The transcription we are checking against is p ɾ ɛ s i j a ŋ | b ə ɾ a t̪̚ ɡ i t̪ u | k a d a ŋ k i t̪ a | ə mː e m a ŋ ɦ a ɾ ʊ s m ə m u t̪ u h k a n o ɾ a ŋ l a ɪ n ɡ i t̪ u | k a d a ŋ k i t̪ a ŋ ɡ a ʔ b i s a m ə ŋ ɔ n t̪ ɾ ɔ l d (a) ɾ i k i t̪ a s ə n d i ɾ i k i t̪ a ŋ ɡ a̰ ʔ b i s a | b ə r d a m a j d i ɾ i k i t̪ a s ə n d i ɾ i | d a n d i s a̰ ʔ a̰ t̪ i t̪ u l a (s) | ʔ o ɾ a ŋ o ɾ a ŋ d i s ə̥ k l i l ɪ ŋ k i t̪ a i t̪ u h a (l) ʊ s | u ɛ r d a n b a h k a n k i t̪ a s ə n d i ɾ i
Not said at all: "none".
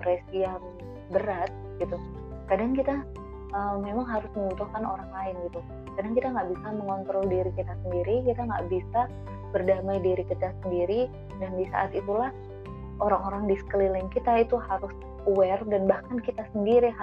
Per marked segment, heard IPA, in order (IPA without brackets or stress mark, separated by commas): i, h, ɾ